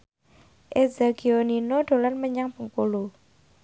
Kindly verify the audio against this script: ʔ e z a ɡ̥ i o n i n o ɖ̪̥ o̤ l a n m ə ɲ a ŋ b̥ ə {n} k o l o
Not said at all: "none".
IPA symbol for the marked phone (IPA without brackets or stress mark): ŋ